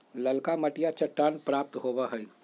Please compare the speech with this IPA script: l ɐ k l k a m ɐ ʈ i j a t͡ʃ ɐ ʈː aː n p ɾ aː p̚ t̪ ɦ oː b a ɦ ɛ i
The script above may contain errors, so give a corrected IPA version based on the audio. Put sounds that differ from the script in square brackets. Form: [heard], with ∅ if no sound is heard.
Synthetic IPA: l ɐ [∅] l k a m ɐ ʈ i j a t͡ʃ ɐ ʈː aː n p ɾ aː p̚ t̪ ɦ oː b a ɦ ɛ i